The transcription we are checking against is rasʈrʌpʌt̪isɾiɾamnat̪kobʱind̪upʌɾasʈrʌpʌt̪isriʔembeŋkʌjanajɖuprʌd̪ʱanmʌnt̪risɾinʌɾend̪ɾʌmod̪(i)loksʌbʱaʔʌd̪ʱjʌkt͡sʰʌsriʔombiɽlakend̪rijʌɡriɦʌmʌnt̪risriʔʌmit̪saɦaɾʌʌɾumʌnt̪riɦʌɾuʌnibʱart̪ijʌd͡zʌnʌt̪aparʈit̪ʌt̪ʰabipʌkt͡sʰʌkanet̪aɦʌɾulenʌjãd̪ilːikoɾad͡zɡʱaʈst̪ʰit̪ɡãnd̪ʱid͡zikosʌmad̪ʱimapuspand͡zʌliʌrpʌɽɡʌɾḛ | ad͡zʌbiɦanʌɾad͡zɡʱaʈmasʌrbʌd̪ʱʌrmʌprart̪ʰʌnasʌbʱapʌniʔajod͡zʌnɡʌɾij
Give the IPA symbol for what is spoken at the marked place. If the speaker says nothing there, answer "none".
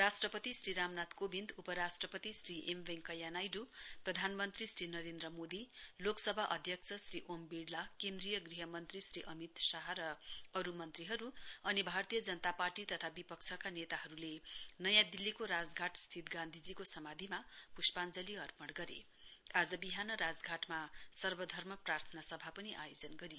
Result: i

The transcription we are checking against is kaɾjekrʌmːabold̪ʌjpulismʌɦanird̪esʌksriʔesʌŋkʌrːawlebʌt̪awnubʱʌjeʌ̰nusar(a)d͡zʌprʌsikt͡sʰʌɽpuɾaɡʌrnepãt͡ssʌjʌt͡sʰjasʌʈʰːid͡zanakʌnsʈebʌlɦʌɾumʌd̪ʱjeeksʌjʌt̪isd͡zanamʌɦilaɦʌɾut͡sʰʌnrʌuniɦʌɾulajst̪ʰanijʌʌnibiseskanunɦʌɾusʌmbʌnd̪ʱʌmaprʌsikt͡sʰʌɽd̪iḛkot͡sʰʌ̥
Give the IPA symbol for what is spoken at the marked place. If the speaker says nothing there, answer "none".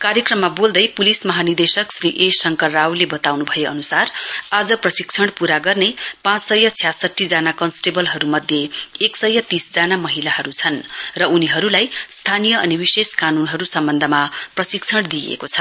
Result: a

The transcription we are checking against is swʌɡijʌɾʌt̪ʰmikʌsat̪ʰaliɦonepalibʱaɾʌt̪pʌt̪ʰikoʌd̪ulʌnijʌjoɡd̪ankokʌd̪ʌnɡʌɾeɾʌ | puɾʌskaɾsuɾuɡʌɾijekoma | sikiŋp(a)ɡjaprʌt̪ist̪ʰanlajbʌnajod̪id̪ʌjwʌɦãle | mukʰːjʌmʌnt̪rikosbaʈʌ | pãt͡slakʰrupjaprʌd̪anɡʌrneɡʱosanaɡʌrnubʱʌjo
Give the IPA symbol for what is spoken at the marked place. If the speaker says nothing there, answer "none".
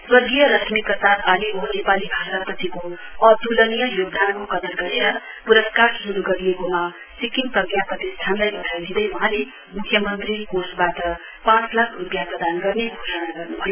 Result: ʌ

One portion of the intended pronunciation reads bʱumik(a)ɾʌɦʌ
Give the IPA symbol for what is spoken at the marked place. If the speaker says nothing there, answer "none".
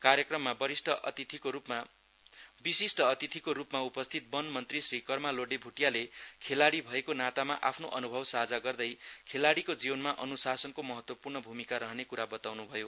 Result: a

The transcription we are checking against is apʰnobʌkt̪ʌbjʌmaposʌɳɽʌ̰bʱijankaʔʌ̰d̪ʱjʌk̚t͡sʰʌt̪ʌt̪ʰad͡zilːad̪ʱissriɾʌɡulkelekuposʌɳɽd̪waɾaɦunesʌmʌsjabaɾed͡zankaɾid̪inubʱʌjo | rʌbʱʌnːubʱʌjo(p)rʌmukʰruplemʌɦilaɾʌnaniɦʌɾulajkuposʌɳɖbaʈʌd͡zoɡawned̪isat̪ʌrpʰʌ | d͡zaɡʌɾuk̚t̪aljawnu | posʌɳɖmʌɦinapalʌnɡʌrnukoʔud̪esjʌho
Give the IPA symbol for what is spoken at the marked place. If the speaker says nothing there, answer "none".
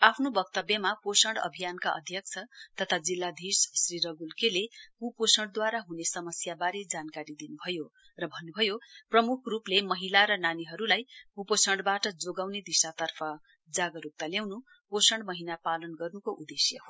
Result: p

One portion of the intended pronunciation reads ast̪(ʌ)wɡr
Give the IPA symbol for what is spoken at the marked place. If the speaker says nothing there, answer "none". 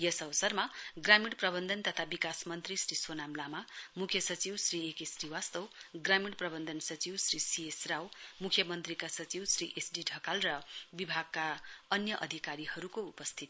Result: ʌ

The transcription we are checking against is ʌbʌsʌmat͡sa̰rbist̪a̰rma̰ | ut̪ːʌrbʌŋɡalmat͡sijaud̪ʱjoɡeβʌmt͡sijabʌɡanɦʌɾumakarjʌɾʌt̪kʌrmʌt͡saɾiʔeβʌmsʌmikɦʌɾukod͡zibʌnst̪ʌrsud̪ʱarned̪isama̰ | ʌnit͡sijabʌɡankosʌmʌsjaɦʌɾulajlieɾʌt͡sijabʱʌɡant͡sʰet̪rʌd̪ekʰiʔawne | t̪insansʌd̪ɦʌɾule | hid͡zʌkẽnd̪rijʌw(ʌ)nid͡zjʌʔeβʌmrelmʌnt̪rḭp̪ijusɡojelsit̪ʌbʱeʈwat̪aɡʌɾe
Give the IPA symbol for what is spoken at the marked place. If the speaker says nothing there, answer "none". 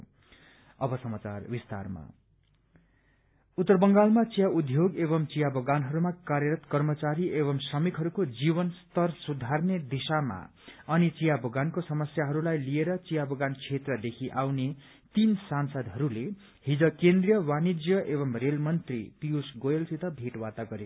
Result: a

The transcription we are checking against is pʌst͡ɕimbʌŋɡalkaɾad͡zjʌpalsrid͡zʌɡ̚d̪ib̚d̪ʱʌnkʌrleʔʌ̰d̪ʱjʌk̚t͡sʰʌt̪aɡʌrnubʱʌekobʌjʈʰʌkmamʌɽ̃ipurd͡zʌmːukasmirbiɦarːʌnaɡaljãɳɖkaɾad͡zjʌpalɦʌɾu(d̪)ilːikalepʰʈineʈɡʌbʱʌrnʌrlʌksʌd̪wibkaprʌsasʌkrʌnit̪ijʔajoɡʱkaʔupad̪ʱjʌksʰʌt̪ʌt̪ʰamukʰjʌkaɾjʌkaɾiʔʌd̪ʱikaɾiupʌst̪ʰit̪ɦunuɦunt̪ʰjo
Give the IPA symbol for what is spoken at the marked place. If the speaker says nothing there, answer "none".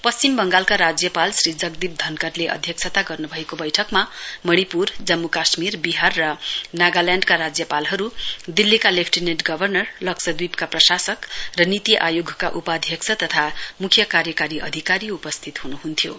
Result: d̪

